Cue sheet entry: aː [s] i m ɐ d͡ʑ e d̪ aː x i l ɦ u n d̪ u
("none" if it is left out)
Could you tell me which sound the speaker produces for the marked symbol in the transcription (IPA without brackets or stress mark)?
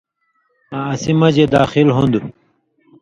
s